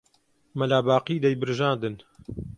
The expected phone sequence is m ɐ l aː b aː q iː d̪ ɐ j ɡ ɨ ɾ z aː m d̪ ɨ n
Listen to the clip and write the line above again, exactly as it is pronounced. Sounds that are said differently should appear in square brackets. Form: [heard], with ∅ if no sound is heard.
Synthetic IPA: m ɐ l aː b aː q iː d̪ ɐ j [b] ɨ ɾ [ʒ] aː [n] d̪ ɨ n